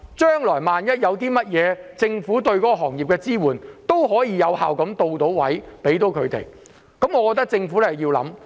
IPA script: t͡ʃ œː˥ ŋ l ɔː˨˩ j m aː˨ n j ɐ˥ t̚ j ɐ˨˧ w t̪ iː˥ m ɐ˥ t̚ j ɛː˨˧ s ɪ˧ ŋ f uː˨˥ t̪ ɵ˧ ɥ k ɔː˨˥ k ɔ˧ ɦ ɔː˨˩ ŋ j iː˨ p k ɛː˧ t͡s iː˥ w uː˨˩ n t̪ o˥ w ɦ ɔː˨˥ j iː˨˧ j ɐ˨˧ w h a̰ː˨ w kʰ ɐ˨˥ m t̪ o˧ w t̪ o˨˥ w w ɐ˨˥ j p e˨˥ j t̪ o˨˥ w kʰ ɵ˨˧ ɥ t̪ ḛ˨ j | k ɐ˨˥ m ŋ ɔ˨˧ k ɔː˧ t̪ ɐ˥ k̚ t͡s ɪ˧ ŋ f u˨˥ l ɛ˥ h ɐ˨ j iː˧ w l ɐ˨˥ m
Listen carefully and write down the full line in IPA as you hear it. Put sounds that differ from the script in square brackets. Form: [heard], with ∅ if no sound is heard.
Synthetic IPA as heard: t͡ʃ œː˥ ŋ l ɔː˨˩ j m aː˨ n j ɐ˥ t̚ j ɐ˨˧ w t̪ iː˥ m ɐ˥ t̚ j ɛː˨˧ [t͡s] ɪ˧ ŋ f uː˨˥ t̪ ɵ˧ ɥ k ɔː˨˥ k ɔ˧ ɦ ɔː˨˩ ŋ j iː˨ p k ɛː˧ t͡s iː˥ w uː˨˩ n t̪ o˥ w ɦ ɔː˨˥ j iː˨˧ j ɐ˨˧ w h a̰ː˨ w [k] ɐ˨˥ m t̪ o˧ w t̪ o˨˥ w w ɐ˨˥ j p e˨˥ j t̪ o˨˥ w kʰ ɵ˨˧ ɥ t̪ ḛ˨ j | k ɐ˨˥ m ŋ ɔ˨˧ k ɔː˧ t̪ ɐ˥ k̚ t͡s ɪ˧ ŋ f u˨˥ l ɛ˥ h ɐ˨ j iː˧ w l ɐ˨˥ m